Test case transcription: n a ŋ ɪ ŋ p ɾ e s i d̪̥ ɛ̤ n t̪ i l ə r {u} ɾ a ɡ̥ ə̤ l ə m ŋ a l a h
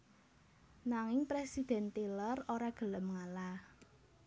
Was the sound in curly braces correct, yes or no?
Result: no